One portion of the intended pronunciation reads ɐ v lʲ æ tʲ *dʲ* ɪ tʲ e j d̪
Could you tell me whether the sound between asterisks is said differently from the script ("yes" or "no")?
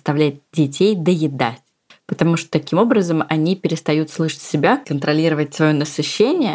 no